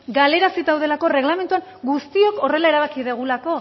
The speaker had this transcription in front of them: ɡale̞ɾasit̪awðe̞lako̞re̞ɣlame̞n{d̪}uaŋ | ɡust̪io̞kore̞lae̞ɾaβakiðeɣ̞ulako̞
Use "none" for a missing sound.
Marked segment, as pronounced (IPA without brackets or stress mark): t̪